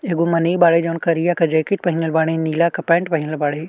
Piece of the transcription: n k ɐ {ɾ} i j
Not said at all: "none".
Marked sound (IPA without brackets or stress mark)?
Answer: ɾ